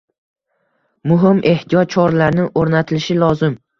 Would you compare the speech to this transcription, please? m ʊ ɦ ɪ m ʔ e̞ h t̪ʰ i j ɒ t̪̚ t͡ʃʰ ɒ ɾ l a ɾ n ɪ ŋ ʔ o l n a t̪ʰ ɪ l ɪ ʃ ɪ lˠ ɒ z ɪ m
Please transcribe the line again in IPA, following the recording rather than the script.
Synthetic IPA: m ʊ ɦ ɪ m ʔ e̞ h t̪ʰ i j ɒ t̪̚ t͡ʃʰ ɒ ɾ l a ɾ n ɪ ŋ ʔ o ɾ n a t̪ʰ ɪ l ɪ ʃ ɪ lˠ ɒ z ɪ m